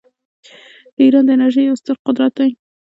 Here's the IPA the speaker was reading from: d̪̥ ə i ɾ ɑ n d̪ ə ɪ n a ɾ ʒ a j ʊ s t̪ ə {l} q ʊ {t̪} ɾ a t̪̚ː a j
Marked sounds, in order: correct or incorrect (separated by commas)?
incorrect, incorrect